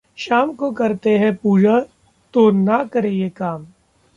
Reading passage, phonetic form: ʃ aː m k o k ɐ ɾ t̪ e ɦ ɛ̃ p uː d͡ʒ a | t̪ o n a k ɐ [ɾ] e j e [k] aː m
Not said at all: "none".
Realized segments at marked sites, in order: ɾ, k

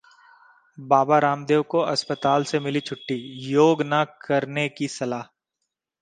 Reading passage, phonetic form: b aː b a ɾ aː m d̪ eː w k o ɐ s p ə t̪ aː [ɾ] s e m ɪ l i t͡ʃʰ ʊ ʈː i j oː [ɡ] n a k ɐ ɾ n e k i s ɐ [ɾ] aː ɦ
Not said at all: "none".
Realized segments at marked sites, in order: l, ɡ, l

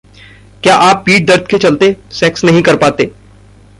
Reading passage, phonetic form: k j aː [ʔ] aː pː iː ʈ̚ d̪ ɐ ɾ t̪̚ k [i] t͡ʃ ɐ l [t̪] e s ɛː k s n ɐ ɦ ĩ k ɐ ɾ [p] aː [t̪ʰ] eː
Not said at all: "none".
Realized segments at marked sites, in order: ʔ, e, t̪, p, t̪

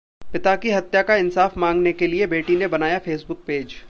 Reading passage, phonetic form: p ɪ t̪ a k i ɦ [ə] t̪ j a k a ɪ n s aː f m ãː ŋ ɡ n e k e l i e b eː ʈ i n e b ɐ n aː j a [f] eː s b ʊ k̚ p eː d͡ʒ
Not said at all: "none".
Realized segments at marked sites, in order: ɐ, f

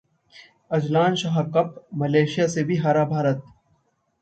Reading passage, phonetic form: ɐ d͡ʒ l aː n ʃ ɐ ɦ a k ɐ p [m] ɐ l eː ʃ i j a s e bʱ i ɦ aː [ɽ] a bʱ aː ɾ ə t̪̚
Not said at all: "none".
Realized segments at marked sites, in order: m, ɾ

